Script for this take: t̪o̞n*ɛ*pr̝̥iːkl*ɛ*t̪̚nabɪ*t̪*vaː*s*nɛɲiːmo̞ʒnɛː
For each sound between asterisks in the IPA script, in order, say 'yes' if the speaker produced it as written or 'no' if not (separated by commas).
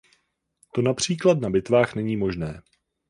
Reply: no, no, yes, no